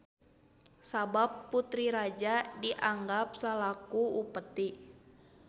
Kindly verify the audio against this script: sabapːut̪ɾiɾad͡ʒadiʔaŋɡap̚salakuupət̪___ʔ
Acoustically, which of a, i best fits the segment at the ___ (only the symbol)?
i